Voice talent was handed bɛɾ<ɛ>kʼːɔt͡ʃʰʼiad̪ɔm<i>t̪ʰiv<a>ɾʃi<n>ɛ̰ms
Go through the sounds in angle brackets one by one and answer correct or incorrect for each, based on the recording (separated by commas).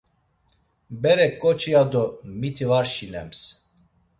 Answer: correct, correct, correct, correct